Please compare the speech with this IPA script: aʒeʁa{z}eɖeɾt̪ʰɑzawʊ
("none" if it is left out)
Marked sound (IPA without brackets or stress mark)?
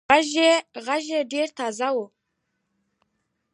ʒ